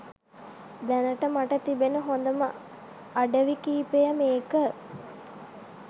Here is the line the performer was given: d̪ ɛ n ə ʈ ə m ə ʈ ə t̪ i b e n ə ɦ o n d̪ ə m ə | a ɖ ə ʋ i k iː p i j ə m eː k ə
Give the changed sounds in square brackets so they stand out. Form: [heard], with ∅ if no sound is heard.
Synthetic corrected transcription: d̪ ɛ n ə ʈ ə m [a] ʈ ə t̪ i b e n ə ɦ o n d̪ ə m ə | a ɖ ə ʋ i k iː p [e] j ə m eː k ə